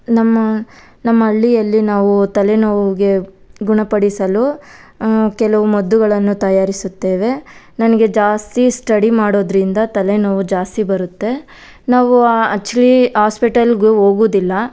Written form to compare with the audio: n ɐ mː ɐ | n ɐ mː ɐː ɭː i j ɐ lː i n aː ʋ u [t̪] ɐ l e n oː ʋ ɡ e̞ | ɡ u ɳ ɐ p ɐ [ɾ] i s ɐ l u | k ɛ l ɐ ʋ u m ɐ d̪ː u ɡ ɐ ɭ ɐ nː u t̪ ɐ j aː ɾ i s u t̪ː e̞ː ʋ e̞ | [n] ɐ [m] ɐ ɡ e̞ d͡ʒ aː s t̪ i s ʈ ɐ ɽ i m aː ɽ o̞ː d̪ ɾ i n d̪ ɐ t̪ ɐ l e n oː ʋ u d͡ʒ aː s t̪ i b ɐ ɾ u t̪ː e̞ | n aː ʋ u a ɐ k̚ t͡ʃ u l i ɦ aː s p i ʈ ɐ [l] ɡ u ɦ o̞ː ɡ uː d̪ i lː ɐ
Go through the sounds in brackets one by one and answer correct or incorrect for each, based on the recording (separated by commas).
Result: correct, incorrect, correct, incorrect, correct